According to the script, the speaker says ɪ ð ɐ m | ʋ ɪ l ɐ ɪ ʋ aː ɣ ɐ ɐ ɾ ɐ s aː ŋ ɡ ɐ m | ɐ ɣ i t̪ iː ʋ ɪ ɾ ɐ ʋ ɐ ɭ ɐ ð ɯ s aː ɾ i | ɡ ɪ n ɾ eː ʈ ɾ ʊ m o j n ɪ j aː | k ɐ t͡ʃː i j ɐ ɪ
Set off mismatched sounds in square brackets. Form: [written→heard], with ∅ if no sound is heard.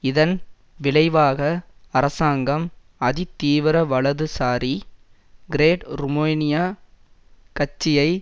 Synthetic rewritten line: ɪ ð ɐ [m→n] | ʋ ɪ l ɐ ɪ ʋ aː ɣ ɐ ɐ ɾ ɐ s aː ŋ ɡ ɐ m | ɐ [ɣ→ð] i t̪ iː ʋ ɪ ɾ ɐ ʋ ɐ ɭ ɐ ð ɯ s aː ɾ i | ɡ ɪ [n→∅] ɾ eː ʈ ɾ ʊ m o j n ɪ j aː | k ɐ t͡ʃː [i→ɪ] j ɐ ɪ